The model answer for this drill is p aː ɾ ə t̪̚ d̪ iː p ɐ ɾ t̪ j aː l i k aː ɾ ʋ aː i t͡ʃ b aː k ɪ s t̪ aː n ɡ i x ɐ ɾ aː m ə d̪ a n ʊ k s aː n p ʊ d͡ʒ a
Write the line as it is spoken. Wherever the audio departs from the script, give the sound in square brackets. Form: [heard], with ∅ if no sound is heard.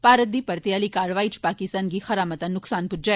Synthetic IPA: p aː ɾ ə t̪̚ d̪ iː p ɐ ɾ t̪ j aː l i k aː ɾ ʋ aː i t͡ʃ [p] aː k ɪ s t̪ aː n ɡ i x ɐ ɾ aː m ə [t̪] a n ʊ k s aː n p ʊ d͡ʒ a